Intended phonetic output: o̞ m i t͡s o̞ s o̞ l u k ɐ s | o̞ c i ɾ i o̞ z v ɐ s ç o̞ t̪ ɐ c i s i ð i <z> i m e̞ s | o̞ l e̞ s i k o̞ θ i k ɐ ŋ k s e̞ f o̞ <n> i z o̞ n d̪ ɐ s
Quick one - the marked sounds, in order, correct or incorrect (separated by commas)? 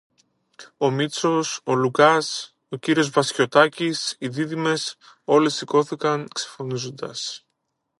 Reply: incorrect, correct